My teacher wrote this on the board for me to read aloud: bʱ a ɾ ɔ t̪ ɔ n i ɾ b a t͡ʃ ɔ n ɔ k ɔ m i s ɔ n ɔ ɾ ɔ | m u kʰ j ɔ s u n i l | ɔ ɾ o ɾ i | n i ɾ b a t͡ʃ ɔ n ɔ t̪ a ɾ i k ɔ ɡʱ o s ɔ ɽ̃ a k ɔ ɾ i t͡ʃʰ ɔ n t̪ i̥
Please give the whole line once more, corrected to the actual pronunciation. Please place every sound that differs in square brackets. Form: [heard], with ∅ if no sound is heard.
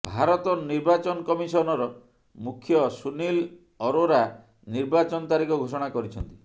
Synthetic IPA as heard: bʱ a ɾ ɔ t̪ ɔ n i ɾ b a t͡ʃ ɔ n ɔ k ɔ m i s ɔ n ɔ ɾ ɔ | m u kʰ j ɔ s u n i l | ɔ ɾ o ɾ [a] | n i ɾ b a t͡ʃ ɔ n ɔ t̪ a ɾ i k ɔ ɡʱ o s ɔ ɽ̃ a k ɔ ɾ i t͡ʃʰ ɔ n t̪ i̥